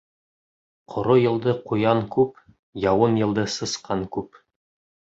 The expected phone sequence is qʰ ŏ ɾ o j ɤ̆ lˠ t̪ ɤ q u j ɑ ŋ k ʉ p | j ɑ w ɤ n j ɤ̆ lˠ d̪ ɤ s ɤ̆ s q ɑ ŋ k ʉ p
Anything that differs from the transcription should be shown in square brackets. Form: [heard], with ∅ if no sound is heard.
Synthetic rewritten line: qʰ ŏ ɾ o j ɤ̆ lˠ [d̪] ɤ q u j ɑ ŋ k ʉ p | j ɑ w ɤ n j ɤ̆ lˠ d̪ ɤ s ɤ̆ s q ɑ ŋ k ʉ p